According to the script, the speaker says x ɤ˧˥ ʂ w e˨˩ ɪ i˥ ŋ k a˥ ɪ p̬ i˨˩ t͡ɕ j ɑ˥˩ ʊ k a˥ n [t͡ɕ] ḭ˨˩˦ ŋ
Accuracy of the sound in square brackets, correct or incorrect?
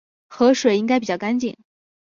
correct